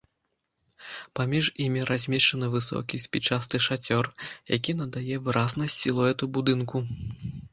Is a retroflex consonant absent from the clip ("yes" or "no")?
no